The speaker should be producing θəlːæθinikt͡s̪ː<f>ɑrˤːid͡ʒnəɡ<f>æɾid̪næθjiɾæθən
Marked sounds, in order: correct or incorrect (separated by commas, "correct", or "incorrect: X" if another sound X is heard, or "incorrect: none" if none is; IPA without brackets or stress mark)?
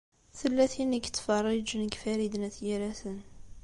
correct, correct